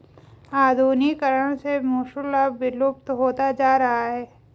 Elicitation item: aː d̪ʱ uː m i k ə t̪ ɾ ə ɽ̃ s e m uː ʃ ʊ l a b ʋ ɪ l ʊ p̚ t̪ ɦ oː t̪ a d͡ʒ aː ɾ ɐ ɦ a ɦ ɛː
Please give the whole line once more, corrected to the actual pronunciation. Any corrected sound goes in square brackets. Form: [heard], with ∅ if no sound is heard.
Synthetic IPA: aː d̪ʱ uː [n] i k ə [∅] ɾ ə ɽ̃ s e m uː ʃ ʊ l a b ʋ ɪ l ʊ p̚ t̪ ɦ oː t̪ a d͡ʒ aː ɾ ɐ ɦ a ɦ ɛː